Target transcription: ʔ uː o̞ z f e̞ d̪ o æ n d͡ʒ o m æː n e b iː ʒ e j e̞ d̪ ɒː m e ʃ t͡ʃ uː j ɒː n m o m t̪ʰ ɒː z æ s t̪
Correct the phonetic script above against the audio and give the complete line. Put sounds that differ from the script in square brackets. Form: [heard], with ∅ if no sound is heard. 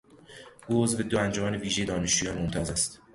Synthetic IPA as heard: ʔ uː o̞ z [v] e̞ d̪ o æ n d͡ʒ o m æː n e [v] iː ʒ e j e̞ d̪ ɒː [n] e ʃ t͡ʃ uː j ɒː n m o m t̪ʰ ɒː z æ s t̪